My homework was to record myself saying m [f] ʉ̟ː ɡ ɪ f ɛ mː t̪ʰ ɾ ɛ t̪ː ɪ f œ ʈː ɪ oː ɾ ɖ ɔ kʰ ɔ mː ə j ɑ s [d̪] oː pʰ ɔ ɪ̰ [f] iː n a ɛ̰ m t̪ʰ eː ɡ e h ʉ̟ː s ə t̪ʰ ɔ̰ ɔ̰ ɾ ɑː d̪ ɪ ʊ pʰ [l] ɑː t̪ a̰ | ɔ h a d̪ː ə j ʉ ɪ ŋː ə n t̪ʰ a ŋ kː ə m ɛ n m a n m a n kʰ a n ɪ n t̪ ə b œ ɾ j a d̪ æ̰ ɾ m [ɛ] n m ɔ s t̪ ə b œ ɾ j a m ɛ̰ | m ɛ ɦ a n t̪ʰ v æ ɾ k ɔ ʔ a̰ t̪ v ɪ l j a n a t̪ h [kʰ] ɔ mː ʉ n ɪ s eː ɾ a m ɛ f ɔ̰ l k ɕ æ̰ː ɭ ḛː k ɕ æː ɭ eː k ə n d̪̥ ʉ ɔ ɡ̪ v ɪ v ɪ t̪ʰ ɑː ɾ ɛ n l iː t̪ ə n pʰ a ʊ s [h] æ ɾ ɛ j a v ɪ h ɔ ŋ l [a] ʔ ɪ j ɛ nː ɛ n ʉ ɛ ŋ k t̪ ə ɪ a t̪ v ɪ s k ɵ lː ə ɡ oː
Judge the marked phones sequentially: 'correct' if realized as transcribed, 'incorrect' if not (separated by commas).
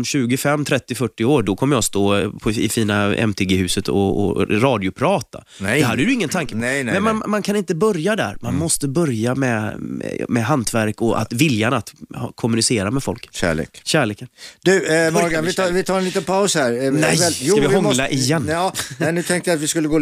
incorrect, incorrect, correct, incorrect, incorrect, correct, correct, correct